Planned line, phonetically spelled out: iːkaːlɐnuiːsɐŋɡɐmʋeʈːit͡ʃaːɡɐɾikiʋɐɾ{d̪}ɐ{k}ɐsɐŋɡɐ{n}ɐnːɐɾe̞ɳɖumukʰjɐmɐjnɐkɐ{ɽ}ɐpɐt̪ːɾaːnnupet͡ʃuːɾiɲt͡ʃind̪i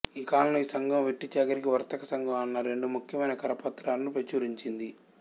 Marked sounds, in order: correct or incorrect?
incorrect, correct, incorrect, incorrect

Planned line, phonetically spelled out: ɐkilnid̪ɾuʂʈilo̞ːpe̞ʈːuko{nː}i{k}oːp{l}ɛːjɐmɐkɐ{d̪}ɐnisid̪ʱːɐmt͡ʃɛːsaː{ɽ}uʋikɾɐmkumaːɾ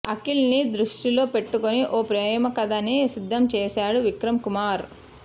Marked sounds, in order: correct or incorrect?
incorrect, incorrect, incorrect, correct, correct

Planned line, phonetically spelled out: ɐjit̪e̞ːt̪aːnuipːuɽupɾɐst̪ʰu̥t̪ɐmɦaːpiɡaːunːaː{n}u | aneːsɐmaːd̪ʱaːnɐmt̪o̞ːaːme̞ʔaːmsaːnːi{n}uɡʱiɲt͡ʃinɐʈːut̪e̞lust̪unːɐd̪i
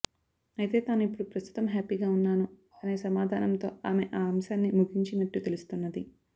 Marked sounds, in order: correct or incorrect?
correct, incorrect

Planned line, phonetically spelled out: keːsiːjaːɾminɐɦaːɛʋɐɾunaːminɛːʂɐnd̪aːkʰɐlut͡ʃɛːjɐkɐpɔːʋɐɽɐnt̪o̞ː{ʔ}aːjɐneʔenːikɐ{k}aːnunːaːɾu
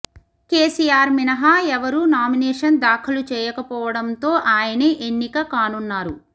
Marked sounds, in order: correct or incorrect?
correct, correct

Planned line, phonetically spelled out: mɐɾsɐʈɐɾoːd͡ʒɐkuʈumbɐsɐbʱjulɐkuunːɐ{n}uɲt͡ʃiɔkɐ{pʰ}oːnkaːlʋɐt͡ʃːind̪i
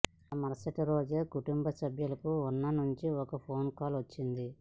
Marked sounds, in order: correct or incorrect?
correct, correct

